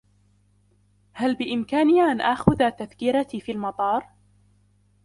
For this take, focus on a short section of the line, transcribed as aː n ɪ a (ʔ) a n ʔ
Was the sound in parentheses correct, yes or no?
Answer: yes